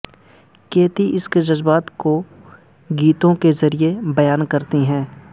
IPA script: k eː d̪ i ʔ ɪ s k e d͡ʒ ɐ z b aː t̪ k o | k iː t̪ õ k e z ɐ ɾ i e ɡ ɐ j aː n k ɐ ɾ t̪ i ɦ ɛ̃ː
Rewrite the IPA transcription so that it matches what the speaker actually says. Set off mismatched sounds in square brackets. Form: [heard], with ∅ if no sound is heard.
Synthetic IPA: k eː [t̪] i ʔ ɪ s k e d͡ʒ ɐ z b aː t̪ k o | [ɡ] iː t̪ õ k e z ɐ ɾ i e [b] ɐ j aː n k ɐ ɾ t̪ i ɦ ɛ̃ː